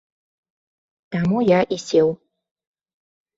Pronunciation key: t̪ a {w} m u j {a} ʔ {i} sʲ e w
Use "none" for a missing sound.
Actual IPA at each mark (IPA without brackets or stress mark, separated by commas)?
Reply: none, a, i